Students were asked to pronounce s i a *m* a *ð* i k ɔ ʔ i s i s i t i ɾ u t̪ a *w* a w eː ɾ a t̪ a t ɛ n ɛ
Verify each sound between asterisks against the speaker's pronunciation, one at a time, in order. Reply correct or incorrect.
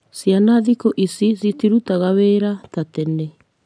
incorrect: n, correct, incorrect: ɣ

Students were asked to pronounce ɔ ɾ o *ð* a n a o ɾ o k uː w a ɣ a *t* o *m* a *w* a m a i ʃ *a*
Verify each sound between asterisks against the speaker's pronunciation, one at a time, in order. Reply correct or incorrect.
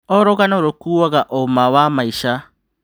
incorrect: ɣ, incorrect: ʔ, correct, correct, correct

